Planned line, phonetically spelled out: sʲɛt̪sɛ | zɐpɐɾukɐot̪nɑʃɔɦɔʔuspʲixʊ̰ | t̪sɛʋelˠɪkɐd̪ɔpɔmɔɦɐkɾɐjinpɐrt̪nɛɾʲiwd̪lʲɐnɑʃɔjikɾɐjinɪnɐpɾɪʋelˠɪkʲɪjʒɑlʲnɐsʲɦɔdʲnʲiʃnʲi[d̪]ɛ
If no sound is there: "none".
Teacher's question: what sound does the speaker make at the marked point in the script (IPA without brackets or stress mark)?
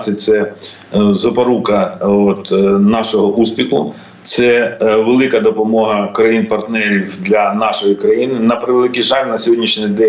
d̪